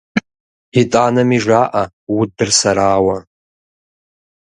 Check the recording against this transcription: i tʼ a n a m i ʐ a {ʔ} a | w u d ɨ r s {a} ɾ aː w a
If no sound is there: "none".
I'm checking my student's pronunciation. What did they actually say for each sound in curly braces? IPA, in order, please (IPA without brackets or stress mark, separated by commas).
ʔ, a